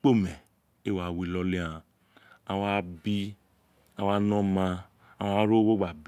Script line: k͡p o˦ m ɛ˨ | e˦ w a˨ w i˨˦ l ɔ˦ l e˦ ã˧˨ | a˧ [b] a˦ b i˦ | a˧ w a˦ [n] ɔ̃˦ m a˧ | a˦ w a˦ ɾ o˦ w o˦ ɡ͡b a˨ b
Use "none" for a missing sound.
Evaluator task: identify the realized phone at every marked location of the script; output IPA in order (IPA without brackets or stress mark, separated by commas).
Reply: w, n